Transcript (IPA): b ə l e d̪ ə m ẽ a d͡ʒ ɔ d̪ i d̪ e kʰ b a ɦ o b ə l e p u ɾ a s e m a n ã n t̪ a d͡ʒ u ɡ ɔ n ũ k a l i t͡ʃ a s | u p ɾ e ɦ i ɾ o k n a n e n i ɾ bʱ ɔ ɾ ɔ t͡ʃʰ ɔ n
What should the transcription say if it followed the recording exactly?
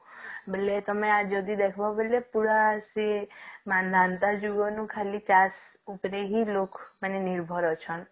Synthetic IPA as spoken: b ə l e t̪ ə m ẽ a d͡ʒ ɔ d̪ i d̪ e kʰ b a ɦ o b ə l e p u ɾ a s e m a n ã n t̪ a d͡ʒ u ɡ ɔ n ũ kʰ a l i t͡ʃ a s | u p ɾ e ɦ i l o k m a n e n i ɾ bʱ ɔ ɾ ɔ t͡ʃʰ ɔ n